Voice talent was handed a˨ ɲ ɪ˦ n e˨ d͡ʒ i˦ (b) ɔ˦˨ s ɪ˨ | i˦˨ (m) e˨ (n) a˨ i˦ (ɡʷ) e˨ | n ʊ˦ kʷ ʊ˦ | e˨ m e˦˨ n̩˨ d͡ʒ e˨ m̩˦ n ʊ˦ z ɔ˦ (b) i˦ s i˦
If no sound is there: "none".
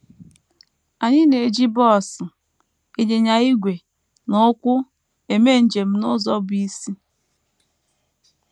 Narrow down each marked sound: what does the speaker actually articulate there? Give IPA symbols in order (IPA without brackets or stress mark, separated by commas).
b, ɲ, ɲ, ɡʷ, b